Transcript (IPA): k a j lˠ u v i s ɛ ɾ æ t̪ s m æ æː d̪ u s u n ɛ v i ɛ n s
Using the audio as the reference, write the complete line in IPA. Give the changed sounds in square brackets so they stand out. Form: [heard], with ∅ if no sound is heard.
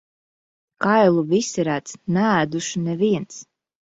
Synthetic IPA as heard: k a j lˠ u v i s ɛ ɾ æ t̪ s [n] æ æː d̪ u [ʃ] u n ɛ v i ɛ n s